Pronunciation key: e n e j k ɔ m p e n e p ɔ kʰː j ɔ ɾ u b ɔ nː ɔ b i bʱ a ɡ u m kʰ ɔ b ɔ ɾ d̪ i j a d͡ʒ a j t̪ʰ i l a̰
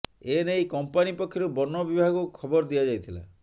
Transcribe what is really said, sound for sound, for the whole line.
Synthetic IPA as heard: e n e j k ɔ m p a n i p ɔ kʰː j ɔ ɾ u b ɔ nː ɔ b i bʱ a ɡ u kʰ ɔ b ɔ ɾ d̪ i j a d͡ʒ a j t̪ʰ i l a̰